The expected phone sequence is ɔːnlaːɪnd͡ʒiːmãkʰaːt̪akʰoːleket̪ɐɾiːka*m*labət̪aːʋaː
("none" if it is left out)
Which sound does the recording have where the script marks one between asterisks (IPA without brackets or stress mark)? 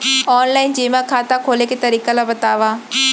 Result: none